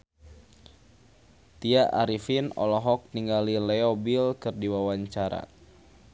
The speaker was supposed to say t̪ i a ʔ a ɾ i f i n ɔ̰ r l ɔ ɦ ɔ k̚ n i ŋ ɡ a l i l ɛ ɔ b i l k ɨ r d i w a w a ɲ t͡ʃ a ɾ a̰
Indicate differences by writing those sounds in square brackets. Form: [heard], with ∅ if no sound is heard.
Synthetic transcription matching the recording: t̪ i a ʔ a ɾ i f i n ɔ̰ [∅] l ɔ ɦ ɔ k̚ n i ŋ ɡ a l i l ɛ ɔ b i l k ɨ r d i w a w a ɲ t͡ʃ a ɾ a̰